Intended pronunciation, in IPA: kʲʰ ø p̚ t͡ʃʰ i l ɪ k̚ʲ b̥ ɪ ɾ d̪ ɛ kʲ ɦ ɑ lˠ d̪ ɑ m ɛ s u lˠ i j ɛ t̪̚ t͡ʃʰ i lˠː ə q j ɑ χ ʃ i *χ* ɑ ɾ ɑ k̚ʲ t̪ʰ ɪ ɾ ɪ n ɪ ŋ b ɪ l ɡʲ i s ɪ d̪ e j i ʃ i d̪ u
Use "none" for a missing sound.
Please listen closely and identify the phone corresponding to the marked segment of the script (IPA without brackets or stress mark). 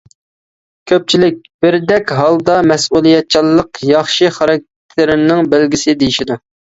χ